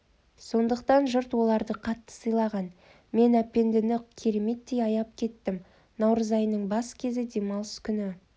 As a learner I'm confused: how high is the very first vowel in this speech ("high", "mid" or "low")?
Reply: mid